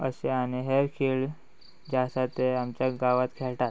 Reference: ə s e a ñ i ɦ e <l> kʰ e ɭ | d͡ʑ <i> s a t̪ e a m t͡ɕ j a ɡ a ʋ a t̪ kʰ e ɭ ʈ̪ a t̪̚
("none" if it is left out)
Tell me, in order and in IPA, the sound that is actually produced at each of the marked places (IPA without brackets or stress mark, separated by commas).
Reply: ɾ, a